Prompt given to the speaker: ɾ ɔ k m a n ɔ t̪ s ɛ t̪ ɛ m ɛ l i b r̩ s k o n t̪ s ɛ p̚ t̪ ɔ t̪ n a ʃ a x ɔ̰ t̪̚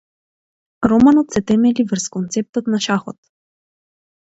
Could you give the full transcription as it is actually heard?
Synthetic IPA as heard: ɾ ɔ m a n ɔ t̪ s ɛ t̪ ɛ m ɛ l i v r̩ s k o n t̪ s ɛ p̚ t̪ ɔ t̪ n a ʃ a x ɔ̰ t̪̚